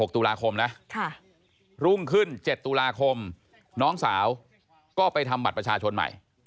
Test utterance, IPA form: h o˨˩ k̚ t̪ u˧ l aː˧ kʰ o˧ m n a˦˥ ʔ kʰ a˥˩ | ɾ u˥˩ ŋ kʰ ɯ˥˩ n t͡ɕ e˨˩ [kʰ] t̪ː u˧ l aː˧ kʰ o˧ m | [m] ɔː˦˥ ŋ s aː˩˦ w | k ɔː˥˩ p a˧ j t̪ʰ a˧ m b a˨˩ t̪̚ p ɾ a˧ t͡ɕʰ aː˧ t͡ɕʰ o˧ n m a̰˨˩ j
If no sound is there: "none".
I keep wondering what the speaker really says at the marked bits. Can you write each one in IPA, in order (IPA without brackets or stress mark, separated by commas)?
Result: none, n